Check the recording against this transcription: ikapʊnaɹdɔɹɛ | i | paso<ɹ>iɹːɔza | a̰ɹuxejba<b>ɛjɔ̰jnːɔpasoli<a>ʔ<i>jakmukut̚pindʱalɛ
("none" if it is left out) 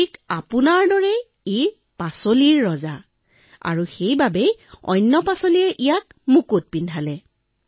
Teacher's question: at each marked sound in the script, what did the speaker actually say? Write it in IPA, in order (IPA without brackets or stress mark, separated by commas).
l, b, ɛ, i